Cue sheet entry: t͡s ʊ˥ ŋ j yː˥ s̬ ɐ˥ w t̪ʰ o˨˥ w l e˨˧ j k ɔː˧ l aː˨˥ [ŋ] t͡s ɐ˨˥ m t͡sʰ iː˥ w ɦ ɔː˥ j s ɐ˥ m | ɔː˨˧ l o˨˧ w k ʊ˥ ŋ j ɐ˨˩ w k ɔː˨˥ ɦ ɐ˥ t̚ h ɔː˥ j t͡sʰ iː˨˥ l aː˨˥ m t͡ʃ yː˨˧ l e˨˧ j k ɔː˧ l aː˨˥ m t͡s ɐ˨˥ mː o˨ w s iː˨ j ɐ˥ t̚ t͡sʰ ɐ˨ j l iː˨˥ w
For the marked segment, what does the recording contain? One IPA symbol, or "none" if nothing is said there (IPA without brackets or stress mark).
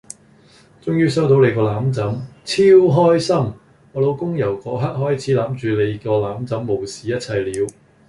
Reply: m